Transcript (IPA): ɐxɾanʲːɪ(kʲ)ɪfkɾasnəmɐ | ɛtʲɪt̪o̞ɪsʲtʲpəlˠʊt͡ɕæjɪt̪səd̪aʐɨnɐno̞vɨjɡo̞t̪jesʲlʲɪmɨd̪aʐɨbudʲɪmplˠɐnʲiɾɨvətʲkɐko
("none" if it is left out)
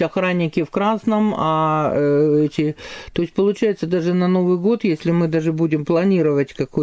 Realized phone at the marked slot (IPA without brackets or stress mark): kʲ